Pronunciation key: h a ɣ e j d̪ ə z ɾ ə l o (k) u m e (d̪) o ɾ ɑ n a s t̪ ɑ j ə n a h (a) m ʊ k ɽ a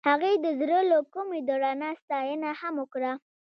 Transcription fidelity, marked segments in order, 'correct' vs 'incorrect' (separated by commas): correct, correct, correct